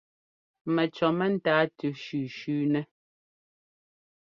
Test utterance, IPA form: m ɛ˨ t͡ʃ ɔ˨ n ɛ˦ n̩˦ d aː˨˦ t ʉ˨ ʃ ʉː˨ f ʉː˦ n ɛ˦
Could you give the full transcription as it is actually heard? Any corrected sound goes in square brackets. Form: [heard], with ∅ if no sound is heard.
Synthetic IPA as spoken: m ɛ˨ t͡ʃ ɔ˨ [m] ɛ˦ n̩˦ [t] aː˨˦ t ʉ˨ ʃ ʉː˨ [ʃ] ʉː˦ n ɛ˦